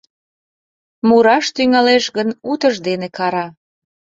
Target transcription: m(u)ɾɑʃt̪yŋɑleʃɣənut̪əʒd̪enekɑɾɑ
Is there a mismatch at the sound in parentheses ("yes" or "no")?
no